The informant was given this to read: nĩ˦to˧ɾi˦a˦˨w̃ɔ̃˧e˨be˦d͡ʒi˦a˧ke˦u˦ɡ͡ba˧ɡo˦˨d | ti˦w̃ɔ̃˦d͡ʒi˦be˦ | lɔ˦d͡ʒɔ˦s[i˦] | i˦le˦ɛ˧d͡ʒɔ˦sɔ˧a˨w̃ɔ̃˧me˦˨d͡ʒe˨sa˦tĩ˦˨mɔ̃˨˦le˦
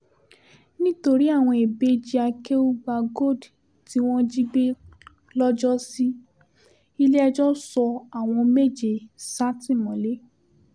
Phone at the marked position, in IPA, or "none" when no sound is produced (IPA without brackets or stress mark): i˦